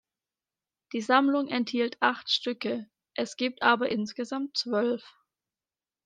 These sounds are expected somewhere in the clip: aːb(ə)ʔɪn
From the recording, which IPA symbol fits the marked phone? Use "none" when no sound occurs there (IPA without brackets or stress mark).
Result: ɐ